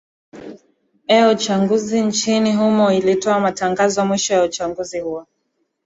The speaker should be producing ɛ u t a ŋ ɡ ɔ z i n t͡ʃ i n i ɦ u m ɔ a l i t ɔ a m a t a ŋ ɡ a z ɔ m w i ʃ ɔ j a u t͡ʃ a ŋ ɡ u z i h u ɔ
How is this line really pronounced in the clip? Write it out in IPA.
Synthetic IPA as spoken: ɛ u t͡ʃ a ŋ ɡ u z i n t͡ʃ i n i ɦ u m ɔ i l i t ɔ a m a t a ŋ ɡ a z ɔ m w i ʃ ɔ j a u t͡ʃ a ŋ ɡ u z i h u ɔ